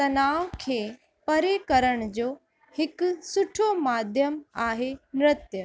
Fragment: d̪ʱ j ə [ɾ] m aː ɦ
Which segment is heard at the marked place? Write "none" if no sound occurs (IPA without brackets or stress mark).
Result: none